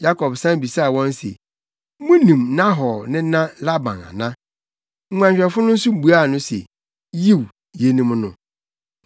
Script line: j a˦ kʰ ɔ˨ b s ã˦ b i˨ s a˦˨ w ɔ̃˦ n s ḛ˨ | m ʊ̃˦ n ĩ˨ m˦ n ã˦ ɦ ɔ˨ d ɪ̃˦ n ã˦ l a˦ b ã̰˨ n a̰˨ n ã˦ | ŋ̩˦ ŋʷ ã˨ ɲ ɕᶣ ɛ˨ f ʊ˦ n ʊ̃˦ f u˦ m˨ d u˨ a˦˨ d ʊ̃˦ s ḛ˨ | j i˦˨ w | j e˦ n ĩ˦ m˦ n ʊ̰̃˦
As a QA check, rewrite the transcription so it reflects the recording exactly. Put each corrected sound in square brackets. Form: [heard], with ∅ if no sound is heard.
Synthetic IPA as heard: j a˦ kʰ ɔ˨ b s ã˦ b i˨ s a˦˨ w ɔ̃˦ n s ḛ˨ | m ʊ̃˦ n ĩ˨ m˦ n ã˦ ɦ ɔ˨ [n] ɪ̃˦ n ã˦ l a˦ b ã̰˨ n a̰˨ n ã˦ | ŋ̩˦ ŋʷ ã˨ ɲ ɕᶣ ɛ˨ f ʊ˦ n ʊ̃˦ [s] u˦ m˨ [b] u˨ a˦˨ [n] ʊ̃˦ s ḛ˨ | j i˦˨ w | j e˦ n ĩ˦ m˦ n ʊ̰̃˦